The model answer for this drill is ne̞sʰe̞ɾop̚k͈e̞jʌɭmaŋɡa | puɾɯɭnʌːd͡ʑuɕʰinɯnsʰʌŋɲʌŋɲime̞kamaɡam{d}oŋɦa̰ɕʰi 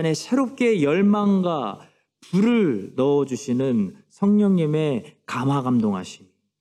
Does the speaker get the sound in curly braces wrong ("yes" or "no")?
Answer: no